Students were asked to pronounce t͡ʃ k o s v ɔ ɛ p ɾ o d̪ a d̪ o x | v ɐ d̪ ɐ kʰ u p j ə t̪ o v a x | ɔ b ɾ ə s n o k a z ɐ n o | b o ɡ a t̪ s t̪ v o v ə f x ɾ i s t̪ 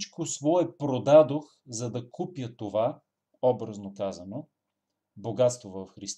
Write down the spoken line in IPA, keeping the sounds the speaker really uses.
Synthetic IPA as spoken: t͡ʃ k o s v ɔ ɛ p ɾ o d̪ a d̪ o x | z ɐ d̪ ɐ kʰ u p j ə t̪ o v a | ɔ b ɾ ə z n o k a z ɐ n o | b o ɡ a t̪ s t̪ v o v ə f x ɾ i s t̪